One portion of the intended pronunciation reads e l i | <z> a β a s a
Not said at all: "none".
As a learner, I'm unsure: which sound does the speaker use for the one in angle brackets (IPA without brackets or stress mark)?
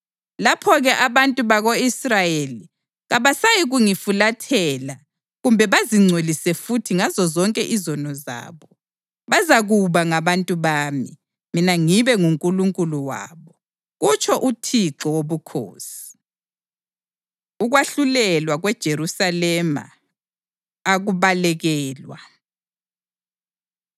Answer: ɣ